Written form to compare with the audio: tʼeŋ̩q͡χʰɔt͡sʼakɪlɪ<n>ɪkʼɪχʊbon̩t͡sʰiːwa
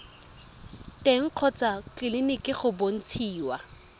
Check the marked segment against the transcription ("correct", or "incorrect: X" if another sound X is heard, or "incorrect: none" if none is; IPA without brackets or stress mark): correct